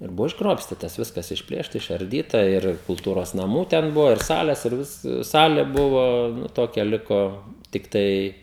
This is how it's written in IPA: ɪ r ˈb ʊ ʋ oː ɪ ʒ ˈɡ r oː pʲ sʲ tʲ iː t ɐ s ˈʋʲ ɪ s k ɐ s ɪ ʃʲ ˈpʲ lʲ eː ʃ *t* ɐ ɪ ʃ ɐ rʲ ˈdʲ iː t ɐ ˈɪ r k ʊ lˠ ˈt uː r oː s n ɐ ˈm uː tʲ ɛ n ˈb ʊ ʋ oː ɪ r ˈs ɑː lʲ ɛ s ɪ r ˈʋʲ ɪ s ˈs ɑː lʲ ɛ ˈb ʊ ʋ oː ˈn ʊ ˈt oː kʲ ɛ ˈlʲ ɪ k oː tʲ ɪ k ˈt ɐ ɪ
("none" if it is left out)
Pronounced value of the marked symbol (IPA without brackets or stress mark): t